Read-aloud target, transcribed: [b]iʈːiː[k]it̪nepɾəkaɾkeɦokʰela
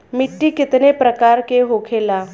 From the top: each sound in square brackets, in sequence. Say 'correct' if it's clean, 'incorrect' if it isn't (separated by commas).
incorrect, correct